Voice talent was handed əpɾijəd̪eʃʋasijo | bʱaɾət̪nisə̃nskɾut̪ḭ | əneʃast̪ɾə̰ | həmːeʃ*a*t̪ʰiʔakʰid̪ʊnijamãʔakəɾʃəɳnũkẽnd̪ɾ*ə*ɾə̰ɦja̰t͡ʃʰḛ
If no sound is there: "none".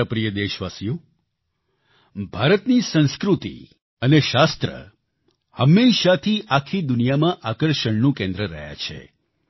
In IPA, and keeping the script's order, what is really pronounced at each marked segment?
a, ə

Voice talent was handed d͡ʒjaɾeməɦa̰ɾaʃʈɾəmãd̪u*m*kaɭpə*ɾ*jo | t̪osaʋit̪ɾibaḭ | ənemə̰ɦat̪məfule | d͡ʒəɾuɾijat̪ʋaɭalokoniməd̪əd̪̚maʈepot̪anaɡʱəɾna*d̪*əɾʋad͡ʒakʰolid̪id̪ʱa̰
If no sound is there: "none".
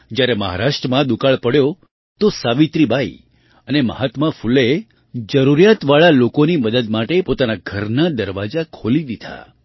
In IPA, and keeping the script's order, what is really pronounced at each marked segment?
none, ɽ, d̪

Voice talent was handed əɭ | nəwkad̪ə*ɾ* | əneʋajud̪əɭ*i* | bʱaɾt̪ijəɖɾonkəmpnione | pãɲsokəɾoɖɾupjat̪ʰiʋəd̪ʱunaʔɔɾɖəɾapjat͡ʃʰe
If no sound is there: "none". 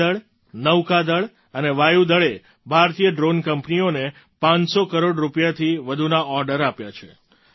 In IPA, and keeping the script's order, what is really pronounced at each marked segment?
ɭ, e

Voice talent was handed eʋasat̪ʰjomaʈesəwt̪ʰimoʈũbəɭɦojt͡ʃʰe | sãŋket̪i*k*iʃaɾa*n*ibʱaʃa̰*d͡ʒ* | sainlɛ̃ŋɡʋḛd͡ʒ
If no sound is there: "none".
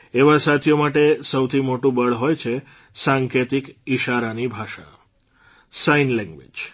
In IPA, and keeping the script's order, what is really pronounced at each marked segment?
k, n, none

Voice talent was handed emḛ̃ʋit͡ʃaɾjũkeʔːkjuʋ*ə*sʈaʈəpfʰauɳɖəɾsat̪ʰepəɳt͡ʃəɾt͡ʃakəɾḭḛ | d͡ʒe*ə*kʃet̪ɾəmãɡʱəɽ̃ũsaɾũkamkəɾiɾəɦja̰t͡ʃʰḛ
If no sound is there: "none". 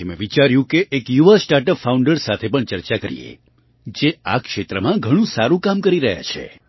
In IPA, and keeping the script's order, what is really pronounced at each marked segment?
a, a

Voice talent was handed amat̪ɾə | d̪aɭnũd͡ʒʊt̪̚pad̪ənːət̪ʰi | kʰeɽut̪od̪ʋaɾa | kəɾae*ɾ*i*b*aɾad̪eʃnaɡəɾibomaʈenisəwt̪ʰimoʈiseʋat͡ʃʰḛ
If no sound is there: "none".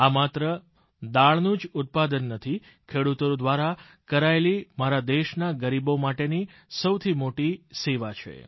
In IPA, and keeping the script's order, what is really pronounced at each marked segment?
l, m

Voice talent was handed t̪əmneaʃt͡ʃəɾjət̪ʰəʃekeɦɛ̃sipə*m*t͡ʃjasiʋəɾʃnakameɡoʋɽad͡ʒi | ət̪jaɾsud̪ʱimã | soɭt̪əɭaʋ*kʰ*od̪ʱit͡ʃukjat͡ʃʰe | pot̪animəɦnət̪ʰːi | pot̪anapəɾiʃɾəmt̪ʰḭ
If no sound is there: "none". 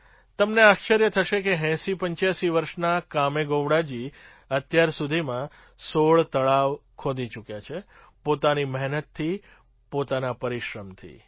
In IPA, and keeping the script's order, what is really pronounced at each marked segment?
ɲ, kʰ

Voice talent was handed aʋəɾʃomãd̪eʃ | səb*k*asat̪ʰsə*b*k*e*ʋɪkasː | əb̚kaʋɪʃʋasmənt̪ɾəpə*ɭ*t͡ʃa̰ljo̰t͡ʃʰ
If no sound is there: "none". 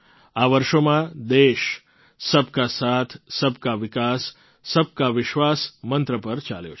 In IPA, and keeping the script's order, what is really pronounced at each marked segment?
k, b, a, ɾ

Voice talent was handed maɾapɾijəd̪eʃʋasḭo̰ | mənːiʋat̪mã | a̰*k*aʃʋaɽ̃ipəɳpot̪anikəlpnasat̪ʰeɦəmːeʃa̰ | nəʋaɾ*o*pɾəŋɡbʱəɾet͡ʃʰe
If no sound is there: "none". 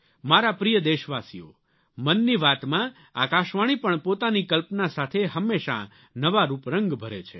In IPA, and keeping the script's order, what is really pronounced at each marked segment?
k, u

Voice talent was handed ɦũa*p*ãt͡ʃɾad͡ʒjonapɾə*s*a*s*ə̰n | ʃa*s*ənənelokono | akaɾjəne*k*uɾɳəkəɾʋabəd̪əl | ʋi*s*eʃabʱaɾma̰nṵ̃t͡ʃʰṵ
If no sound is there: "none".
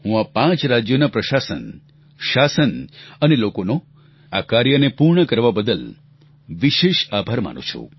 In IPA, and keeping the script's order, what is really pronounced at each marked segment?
p, ʃ, s, s, p, ʃ

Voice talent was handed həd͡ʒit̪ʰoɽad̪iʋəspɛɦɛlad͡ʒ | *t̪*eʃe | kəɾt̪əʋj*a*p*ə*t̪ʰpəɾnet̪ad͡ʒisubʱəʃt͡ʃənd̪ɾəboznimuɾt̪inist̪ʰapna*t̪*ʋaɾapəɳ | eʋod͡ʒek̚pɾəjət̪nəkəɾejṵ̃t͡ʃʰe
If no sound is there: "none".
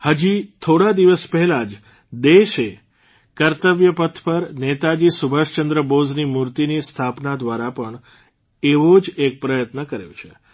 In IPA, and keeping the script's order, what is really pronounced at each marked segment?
d̪, ə, ə, d̪

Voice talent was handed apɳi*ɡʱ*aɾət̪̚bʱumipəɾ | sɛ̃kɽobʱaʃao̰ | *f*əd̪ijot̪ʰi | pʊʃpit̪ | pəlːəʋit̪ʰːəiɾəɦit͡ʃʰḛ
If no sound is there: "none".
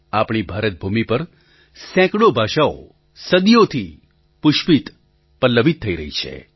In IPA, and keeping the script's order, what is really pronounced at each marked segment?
bʱ, s

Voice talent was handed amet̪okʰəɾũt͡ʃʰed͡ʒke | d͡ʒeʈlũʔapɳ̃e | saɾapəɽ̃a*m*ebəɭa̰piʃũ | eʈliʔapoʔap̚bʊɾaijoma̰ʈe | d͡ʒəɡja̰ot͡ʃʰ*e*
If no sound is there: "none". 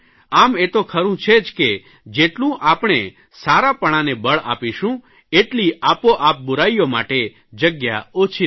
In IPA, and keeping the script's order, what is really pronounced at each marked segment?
n, i

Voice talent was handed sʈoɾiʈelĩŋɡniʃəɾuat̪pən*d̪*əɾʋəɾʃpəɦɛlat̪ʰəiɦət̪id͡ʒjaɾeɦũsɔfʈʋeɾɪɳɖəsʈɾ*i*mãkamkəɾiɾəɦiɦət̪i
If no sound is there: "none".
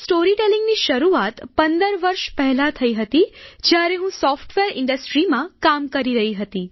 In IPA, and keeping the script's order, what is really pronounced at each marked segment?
d̪, i

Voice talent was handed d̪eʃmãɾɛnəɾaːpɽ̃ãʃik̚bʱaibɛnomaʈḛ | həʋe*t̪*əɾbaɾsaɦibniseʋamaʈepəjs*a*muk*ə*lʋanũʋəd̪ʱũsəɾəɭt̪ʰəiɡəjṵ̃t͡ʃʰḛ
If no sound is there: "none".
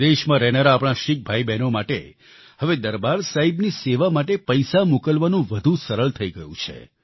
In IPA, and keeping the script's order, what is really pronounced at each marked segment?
d̪, a, ə

